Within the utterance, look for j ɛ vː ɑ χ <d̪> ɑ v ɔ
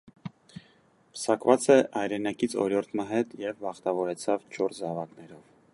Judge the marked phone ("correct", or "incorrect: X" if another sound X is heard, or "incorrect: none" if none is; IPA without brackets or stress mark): incorrect: t̪